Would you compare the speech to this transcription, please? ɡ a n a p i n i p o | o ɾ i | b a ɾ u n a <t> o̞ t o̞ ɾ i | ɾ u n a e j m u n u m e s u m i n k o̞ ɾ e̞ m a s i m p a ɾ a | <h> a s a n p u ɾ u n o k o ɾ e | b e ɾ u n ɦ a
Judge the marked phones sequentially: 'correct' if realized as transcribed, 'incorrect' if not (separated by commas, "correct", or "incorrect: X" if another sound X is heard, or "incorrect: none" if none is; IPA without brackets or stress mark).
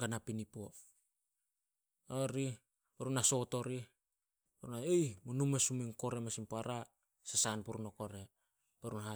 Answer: incorrect: s, incorrect: s